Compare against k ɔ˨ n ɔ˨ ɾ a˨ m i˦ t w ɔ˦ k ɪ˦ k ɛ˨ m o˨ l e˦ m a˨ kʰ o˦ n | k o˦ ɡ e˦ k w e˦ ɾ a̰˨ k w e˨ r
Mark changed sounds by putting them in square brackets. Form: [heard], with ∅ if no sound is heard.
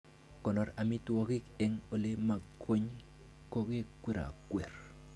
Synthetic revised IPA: k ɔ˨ n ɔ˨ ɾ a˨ m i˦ t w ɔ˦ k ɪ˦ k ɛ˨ [ŋ] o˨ l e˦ m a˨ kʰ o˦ [ɲ] | k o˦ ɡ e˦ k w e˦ ɾ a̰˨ k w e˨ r